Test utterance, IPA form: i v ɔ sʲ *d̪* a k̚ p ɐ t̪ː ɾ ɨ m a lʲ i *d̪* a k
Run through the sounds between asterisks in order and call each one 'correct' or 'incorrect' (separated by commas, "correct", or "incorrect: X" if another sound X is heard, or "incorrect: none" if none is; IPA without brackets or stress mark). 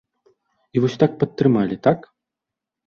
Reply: incorrect: t̪, incorrect: t̪